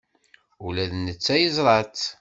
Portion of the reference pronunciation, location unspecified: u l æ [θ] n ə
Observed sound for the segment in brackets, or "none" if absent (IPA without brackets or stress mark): ð